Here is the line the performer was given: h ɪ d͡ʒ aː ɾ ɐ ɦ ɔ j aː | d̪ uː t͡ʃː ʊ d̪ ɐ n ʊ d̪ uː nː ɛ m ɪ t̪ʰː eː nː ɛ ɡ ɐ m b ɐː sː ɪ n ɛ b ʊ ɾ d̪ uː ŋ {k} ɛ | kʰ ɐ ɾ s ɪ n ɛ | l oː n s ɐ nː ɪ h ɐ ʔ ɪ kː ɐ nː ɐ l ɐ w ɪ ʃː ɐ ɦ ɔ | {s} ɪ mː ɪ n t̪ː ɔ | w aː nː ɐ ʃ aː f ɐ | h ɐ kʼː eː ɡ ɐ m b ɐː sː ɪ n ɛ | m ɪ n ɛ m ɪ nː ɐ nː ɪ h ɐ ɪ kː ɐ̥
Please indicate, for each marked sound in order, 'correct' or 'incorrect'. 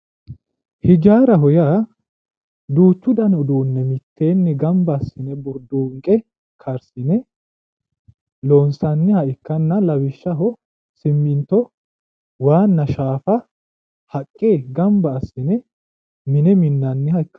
incorrect: kʼ, correct

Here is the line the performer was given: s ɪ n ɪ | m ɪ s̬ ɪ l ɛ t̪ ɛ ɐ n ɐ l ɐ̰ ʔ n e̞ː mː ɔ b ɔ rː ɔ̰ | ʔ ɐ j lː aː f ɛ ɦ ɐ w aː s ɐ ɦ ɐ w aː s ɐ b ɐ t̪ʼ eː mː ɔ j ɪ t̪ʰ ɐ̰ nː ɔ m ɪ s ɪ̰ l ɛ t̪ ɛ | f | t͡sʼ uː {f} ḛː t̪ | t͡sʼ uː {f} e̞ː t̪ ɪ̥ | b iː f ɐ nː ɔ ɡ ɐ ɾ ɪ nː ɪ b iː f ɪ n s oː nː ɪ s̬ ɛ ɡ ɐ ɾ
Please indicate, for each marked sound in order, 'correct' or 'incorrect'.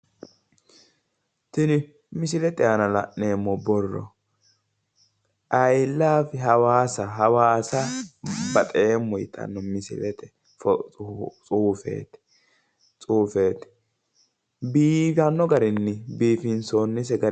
correct, correct

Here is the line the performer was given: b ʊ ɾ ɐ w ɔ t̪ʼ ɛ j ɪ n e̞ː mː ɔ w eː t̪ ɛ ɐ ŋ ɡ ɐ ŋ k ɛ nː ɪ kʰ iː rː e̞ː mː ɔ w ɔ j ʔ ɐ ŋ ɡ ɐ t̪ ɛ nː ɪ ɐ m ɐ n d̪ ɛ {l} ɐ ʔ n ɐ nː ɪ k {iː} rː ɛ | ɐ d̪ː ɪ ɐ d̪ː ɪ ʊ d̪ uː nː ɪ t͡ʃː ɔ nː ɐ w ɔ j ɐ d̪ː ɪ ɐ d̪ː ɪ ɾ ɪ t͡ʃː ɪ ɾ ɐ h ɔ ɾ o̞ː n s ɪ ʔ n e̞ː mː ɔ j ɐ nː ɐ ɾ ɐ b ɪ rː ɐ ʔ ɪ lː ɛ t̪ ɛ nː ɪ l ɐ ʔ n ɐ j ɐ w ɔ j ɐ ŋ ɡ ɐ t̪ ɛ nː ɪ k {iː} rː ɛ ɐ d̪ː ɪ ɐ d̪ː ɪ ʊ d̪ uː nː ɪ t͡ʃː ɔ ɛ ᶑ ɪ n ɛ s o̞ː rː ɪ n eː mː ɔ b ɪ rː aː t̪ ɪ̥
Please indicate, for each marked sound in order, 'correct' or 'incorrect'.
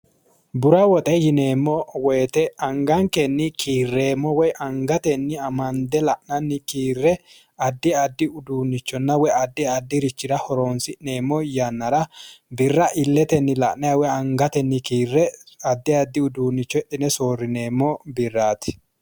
correct, correct, correct

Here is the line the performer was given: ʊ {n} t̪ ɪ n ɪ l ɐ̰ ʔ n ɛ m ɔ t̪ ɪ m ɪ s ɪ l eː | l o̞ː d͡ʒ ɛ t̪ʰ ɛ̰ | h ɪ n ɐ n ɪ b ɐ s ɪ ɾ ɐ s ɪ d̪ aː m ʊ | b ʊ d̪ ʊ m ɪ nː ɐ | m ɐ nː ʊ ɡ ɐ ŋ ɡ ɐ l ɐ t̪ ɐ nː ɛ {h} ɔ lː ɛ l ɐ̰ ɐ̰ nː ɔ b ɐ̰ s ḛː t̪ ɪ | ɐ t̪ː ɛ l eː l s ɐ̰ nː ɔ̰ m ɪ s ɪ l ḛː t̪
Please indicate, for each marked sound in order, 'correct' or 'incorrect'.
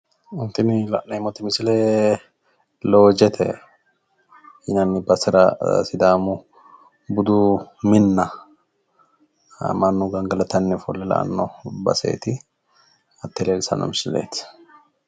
correct, incorrect: f

